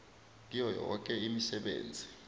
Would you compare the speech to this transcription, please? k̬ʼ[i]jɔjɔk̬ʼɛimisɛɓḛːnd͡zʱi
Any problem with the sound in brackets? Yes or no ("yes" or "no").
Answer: no